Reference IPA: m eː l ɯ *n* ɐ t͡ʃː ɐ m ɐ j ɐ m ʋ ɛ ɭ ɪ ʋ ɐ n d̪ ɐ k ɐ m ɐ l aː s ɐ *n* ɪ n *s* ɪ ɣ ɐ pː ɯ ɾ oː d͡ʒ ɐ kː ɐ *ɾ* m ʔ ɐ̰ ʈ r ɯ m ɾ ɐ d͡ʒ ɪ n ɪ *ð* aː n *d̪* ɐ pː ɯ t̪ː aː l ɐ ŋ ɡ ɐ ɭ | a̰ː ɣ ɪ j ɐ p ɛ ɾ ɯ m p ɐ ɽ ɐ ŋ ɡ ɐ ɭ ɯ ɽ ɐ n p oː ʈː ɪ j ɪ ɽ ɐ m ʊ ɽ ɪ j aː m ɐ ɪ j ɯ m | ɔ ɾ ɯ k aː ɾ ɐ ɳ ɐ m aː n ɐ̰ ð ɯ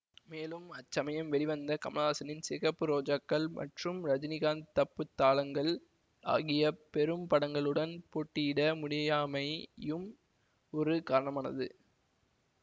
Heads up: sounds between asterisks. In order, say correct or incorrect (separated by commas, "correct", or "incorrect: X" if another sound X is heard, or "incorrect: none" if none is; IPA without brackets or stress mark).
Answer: incorrect: m, correct, correct, incorrect: ɭ, incorrect: ɣ, incorrect: t̪